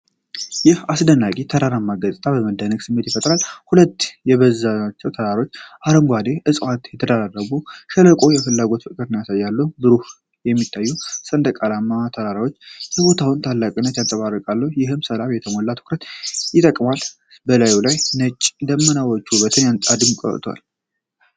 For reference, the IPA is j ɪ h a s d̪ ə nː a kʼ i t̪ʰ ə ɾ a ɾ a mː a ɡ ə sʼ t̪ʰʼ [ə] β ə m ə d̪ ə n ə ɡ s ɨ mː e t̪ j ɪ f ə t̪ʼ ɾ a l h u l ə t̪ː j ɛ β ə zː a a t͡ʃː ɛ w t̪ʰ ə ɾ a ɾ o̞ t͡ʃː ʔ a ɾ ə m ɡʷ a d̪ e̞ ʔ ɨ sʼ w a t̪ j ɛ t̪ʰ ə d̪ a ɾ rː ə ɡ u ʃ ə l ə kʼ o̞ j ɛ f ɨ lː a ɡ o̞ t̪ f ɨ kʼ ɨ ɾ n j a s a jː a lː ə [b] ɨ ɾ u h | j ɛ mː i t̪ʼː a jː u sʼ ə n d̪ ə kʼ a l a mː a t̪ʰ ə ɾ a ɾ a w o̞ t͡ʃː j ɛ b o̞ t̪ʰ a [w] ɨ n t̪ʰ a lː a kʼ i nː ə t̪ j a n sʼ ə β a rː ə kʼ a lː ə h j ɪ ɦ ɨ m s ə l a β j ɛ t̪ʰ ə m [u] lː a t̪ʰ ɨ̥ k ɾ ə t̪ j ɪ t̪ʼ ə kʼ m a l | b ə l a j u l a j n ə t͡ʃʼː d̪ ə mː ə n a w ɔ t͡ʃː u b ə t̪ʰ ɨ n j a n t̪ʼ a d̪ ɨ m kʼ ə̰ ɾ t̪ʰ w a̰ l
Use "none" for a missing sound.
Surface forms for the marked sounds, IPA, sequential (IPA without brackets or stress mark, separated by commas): a, b, w, o